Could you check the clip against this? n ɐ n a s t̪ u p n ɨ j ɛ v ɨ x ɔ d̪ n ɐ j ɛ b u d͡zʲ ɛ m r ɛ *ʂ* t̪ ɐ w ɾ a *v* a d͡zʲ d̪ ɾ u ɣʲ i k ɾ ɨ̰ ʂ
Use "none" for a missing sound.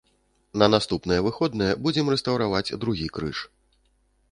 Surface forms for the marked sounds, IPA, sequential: s, v

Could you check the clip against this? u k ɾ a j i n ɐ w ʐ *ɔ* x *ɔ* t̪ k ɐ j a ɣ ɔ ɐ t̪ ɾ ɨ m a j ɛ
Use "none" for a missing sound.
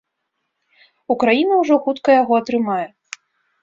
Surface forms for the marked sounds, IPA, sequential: ɔ, u

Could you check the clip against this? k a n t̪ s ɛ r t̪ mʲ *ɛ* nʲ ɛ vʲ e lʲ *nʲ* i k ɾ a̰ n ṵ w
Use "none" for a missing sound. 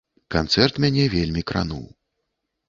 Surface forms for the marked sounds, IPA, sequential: a, mʲ

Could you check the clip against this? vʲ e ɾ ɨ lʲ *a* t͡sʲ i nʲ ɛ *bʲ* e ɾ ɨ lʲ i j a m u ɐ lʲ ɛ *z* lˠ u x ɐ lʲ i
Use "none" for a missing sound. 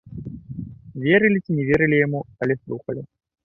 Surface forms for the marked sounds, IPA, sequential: i, vʲ, s

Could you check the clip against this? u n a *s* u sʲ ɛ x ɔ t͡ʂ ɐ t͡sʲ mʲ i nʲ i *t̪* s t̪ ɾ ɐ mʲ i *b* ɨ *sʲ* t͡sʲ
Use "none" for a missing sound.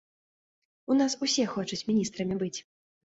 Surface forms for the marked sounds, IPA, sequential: s, none, b, none

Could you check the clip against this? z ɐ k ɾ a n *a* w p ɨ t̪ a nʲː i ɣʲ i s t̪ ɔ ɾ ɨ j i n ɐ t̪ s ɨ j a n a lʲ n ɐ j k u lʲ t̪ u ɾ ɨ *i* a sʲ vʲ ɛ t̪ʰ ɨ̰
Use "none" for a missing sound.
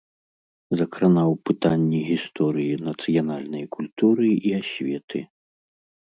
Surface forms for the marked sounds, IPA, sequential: a, i

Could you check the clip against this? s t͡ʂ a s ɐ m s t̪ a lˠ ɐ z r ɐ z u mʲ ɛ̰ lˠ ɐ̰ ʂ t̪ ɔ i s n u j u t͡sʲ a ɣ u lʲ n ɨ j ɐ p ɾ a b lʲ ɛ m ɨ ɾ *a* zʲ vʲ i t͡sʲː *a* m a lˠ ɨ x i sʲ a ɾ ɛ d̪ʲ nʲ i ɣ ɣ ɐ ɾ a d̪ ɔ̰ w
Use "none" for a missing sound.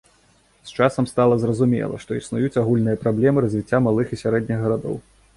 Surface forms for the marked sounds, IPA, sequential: ɐ, a

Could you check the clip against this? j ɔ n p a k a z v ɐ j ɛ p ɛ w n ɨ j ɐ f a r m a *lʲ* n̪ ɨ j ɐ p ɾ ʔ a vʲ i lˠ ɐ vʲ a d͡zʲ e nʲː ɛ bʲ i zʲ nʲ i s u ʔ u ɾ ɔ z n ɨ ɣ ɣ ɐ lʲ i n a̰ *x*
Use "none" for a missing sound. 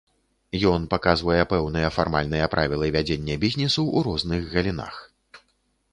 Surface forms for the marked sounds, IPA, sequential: lʲ, x

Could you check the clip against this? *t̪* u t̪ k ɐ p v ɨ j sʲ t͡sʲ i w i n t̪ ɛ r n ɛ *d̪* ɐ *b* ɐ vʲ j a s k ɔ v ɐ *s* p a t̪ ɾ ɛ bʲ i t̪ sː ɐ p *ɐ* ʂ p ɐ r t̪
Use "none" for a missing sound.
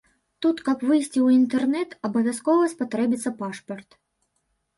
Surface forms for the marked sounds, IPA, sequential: t̪, t̪, b, s, a

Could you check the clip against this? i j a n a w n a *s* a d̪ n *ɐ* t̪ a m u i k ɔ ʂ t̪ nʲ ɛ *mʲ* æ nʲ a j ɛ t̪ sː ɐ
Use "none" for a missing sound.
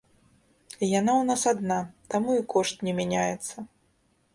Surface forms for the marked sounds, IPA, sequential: s, a, mʲ

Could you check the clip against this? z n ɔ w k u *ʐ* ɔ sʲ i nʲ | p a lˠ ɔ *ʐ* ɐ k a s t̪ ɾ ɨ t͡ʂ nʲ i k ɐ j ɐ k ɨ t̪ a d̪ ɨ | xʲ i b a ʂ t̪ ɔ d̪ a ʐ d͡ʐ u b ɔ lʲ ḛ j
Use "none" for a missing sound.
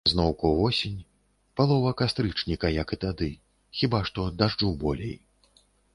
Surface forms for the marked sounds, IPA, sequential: v, v

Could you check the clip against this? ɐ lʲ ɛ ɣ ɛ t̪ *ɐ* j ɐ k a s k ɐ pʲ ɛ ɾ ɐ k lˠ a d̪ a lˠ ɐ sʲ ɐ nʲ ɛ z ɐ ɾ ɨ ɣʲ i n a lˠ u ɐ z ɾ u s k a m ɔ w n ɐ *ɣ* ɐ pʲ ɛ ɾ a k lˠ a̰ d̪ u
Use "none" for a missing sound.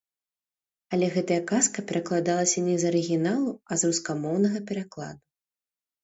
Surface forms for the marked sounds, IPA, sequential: ɐ, ɣ

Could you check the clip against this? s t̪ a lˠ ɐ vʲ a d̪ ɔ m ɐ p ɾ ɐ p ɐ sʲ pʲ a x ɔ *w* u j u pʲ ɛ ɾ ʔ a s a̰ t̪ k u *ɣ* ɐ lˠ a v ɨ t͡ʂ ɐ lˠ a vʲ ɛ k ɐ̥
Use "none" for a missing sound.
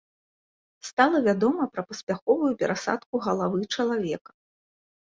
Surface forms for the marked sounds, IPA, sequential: v, ɣ

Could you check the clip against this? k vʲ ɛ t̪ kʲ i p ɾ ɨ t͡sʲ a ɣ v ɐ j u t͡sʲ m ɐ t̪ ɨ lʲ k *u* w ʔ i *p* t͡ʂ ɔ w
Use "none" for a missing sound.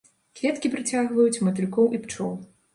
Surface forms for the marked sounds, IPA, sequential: ɔ, p

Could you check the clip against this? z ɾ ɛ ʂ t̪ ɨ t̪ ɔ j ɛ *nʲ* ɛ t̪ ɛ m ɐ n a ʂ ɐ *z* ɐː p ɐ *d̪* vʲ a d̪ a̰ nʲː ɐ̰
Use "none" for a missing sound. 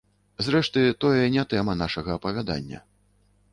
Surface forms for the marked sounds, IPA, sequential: nʲ, ɣ, none

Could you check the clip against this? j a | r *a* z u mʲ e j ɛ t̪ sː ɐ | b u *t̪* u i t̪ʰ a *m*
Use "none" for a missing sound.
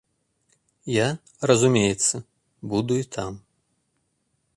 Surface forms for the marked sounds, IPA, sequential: ɐ, d̪, m

